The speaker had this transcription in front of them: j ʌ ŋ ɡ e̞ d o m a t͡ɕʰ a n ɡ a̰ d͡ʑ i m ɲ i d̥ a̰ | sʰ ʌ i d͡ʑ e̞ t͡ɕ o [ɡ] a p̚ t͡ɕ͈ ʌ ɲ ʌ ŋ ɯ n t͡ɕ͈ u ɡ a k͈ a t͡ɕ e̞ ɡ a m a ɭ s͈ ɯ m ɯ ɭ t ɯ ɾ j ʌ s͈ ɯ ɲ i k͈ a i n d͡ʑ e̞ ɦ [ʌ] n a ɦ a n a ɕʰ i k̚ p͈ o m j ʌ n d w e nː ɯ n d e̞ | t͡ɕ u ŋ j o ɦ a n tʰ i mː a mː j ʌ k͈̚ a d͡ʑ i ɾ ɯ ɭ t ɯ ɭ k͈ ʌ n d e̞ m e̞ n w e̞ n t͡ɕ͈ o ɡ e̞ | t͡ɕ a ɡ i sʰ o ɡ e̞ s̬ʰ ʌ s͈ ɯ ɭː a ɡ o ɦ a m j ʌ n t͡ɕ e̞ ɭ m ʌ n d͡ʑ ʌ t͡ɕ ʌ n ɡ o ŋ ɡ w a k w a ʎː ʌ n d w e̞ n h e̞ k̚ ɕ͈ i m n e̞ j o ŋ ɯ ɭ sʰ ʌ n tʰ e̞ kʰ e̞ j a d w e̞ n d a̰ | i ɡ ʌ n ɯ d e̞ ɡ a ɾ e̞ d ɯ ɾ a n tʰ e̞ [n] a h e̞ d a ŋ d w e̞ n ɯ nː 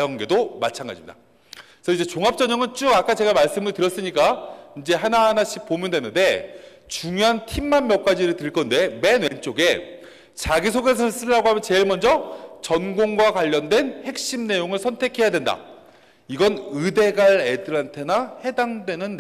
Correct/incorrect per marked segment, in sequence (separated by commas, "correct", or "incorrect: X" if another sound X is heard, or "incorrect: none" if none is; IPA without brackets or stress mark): incorrect: ŋ, incorrect: a, correct